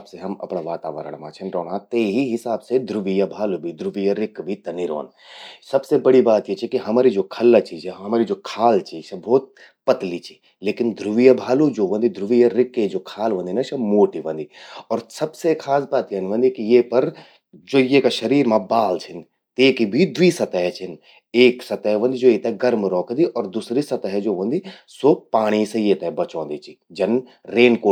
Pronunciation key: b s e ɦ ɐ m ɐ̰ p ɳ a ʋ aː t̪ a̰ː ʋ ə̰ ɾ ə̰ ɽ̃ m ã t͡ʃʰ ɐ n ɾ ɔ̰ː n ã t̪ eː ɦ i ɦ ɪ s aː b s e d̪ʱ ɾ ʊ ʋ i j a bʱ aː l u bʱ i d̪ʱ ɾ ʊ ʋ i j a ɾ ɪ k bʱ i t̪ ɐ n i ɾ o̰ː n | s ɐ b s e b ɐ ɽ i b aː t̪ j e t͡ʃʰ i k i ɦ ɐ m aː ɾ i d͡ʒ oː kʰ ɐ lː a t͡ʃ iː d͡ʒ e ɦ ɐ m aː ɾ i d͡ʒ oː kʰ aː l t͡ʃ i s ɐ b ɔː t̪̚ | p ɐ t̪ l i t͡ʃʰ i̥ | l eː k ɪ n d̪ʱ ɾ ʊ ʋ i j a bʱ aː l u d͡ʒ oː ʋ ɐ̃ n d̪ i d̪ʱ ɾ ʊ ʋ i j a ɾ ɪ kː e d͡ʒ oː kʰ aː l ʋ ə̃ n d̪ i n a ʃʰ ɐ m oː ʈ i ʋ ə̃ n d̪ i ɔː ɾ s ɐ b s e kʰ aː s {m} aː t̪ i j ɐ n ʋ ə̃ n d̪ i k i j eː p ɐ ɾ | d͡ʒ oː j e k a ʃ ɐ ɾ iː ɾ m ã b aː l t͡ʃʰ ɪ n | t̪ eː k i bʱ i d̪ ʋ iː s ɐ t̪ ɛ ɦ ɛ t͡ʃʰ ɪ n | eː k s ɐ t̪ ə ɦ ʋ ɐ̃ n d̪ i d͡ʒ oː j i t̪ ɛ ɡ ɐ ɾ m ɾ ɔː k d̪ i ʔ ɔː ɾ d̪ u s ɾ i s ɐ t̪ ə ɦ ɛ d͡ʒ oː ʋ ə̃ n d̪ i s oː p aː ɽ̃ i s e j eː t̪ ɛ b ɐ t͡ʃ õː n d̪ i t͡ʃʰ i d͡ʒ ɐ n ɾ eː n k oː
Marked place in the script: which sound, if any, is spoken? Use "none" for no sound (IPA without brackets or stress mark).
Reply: b